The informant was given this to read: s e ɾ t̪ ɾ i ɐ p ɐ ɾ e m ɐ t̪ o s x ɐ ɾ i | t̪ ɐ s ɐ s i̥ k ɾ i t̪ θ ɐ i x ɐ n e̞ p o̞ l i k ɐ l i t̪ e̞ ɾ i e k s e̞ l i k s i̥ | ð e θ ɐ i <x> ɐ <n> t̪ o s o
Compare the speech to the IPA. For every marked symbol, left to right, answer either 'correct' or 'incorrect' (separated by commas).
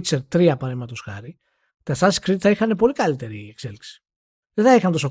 correct, correct